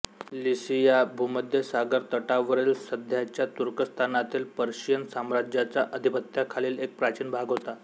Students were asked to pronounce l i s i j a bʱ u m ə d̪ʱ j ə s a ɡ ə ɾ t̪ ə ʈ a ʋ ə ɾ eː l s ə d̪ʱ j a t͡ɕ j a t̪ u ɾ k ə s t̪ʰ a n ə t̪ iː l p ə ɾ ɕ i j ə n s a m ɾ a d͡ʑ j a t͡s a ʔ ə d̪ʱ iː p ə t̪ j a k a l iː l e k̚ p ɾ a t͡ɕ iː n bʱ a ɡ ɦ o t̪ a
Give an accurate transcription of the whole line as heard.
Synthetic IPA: l i s i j a bʱ u m ə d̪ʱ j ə s a ɡ ə ɾ t̪ ə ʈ a ʋ ə ɾ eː l s ə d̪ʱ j a t͡ɕ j a t̪ u ɾ k ə s t̪ʰ a n a t̪ iː l p ə ɾ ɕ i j ə n s a m ɾ a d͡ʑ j a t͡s a ʔ ə d̪ʱ i p ə t̪ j a kʰ a l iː l e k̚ p ɾ a t͡ɕ iː n bʱ a ɡ ɦ o t̪ a